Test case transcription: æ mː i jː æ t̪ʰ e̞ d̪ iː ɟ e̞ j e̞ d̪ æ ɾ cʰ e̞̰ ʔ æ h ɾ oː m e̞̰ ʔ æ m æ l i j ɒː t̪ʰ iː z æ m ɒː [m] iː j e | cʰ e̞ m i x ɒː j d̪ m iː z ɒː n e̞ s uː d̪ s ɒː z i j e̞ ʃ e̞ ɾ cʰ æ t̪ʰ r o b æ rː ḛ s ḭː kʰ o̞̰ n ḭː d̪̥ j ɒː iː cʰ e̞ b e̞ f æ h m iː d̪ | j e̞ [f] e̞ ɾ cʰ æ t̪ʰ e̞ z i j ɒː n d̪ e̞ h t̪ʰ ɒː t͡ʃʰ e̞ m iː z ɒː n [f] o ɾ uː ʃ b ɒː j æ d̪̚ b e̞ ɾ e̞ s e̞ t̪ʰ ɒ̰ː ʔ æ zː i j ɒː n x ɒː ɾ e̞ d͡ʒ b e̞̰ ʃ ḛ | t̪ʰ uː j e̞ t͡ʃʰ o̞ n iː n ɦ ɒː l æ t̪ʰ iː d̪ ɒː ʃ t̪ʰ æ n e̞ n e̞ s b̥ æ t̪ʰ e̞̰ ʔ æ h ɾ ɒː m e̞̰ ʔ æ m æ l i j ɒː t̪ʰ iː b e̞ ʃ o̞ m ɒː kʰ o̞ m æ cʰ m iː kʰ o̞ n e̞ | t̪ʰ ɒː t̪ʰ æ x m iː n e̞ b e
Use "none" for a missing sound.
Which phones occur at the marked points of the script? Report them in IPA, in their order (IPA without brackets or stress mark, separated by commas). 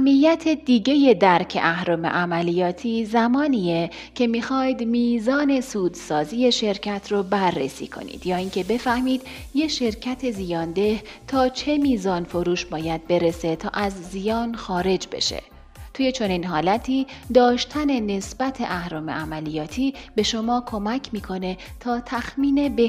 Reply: n, ʃ, f